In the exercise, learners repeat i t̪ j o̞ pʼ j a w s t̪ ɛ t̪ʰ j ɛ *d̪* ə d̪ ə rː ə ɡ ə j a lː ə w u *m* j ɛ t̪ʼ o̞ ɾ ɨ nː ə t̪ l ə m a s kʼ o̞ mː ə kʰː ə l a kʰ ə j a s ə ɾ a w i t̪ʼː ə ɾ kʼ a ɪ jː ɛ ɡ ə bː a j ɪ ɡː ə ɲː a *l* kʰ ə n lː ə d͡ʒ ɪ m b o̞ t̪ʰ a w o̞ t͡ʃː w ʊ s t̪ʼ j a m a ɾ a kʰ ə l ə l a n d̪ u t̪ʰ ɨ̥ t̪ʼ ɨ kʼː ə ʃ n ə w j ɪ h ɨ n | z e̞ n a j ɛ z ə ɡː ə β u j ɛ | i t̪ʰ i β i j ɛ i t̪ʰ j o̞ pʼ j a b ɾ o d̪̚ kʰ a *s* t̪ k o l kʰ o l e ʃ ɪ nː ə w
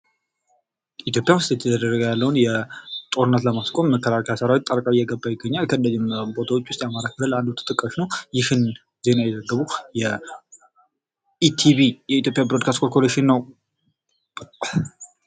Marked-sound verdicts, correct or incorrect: correct, incorrect: n, correct, correct

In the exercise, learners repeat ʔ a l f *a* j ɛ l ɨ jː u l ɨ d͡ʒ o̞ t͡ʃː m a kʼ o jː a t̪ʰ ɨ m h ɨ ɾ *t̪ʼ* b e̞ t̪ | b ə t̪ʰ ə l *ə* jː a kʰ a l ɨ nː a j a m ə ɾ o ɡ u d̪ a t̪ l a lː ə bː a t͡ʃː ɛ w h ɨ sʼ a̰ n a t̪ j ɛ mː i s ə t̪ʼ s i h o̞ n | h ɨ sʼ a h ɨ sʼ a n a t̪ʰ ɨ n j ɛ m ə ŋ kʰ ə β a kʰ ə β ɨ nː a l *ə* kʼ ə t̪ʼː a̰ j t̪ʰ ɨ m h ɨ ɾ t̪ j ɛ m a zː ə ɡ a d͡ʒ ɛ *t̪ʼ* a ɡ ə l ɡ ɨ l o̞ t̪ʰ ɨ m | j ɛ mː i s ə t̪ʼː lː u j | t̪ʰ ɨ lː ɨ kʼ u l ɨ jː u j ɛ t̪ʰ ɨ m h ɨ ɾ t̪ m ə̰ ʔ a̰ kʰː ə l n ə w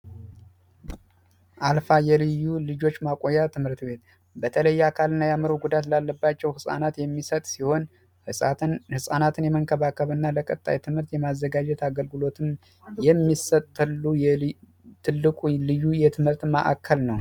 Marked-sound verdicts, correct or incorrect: correct, incorrect: t̪, correct, correct, incorrect: t̪

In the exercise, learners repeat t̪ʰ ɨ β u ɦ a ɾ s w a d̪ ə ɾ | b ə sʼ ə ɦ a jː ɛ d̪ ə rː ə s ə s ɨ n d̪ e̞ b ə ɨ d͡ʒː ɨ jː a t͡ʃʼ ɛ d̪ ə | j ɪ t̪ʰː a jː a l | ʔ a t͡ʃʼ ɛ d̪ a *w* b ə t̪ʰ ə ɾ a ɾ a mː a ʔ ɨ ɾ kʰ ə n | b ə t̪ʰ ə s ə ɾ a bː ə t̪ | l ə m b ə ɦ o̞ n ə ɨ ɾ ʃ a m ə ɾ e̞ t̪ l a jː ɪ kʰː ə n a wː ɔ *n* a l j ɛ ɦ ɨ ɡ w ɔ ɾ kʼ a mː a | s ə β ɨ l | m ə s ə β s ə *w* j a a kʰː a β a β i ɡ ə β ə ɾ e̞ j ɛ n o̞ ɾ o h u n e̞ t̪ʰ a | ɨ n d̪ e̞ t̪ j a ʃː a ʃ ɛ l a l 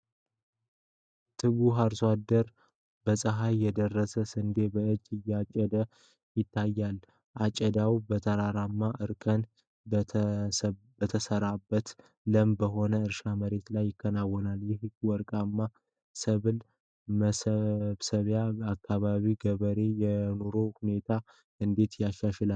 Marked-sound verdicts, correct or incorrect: correct, correct, incorrect: β

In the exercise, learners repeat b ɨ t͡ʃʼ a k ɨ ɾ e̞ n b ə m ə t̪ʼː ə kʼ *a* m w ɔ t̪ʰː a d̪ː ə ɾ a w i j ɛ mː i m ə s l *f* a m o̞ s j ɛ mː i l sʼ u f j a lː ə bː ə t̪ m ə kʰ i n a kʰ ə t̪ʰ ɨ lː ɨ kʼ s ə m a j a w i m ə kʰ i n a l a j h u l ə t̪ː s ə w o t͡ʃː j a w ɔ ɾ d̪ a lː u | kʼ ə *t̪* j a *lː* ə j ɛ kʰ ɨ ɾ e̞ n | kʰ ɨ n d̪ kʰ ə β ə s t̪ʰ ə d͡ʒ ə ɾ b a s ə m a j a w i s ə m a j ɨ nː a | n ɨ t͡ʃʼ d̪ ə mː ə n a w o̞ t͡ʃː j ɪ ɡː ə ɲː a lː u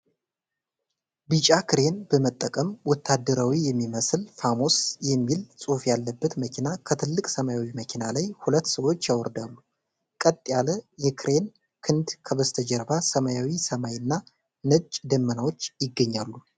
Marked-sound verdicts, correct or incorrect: incorrect: ə, correct, incorrect: t̪ʼ, incorrect: l

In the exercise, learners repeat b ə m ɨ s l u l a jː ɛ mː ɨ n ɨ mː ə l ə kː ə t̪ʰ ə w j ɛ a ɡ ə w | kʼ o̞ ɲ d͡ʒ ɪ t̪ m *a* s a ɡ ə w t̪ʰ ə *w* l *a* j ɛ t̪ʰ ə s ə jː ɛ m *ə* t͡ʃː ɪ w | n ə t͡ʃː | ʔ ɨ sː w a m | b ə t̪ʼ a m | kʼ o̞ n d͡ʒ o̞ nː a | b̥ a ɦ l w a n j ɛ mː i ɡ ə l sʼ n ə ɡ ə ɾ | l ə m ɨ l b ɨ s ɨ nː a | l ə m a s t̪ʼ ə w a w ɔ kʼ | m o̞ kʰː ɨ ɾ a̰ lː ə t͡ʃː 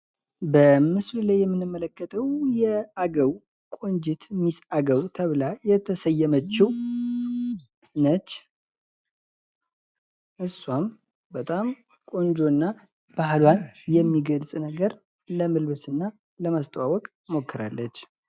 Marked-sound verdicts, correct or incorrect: incorrect: i, incorrect: β, correct, correct

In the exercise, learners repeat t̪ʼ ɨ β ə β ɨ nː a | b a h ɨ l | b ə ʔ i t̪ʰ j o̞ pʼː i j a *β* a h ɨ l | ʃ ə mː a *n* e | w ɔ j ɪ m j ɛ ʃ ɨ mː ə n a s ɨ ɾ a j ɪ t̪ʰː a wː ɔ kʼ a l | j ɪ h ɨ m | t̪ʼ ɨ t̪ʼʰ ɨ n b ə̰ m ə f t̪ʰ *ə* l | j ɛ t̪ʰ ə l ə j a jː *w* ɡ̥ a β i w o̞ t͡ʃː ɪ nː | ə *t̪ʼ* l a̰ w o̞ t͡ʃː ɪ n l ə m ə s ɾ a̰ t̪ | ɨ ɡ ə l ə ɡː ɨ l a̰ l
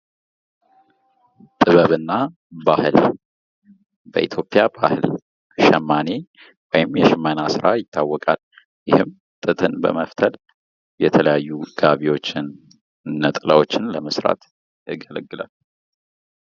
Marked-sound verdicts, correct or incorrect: incorrect: b, correct, correct, incorrect: u, correct

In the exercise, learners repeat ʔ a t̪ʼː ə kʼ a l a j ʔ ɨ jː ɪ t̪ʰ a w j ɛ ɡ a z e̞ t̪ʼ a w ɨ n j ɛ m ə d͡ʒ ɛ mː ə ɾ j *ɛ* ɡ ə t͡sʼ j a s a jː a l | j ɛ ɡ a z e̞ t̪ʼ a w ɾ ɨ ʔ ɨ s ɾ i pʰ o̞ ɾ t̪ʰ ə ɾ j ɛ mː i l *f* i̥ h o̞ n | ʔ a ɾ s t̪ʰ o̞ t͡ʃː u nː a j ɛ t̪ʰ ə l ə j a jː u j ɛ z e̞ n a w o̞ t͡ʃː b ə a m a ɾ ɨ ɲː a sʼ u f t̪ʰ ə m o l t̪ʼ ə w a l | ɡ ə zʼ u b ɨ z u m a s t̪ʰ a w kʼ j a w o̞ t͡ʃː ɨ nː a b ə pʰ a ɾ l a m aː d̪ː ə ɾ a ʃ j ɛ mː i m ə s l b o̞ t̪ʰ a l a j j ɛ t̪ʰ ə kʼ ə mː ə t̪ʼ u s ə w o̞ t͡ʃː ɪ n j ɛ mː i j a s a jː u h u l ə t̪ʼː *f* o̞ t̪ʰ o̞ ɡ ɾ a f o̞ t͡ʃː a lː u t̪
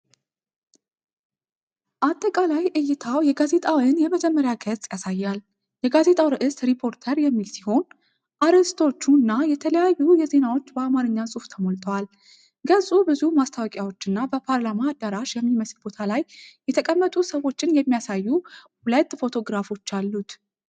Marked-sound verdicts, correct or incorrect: incorrect: a, incorrect: s, correct

